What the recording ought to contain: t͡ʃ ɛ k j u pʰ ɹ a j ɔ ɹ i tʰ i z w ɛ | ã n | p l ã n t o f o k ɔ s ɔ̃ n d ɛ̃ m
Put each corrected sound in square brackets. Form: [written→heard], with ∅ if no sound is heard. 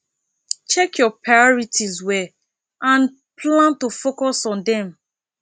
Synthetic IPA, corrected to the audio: t͡ʃ ɛ k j [u→ɔ] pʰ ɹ a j ɔ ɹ i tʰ i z w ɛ | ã n | p l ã n t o f o k ɔ s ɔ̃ n d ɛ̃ m